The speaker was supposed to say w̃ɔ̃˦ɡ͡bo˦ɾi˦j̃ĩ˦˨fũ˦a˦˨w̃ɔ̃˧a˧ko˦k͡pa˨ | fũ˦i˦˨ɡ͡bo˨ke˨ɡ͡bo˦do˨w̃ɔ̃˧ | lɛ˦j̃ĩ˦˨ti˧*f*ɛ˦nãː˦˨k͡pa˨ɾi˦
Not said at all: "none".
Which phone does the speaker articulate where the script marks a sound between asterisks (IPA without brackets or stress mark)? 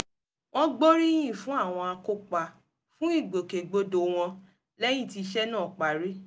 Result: ʃ